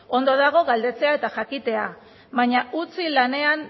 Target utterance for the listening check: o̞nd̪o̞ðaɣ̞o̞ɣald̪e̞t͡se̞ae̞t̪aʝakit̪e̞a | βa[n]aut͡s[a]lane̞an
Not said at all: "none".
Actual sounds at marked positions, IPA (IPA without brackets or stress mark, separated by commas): ɲ, i